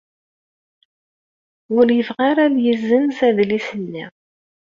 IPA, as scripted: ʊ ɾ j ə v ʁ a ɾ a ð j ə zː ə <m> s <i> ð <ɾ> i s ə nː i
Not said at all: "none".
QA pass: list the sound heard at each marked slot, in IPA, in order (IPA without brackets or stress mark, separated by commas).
n, æ, l